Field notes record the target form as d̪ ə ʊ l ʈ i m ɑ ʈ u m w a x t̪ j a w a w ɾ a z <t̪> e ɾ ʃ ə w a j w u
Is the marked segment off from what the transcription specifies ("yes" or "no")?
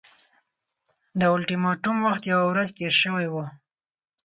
no